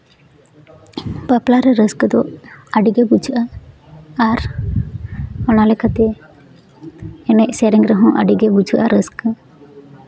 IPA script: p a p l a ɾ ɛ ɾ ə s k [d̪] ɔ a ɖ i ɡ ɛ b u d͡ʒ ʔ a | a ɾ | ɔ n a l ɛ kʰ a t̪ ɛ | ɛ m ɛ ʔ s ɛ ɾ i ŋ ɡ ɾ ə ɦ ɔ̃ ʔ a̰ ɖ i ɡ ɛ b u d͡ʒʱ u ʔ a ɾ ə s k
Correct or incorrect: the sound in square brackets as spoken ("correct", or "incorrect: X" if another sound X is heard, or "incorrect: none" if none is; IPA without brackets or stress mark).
correct